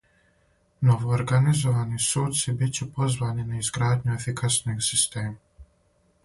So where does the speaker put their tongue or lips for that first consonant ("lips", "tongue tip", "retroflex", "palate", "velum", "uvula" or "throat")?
tongue tip